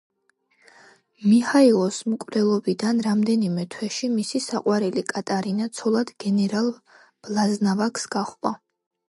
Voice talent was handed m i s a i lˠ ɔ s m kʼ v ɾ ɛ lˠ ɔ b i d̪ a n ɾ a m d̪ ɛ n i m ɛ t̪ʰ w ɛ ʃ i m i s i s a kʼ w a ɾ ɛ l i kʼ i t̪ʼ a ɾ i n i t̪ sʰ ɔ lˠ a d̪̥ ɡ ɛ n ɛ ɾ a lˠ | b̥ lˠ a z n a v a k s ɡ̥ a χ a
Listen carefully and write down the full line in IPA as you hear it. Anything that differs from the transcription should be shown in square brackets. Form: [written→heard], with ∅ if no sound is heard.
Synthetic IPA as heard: m i [s→h] a i lˠ ɔ s m kʼ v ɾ ɛ lˠ ɔ b i d̪ a n ɾ a m d̪ ɛ n i m ɛ t̪ʰ w ɛ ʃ i m i s i s a [kʼ→qʼ] w a ɾ ɛ l i kʼ [i→a] t̪ʼ a ɾ i n [i→a] t̪ sʰ ɔ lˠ a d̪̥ ɡ ɛ n ɛ ɾ a lˠ | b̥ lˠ a z n a v a k s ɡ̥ a χ a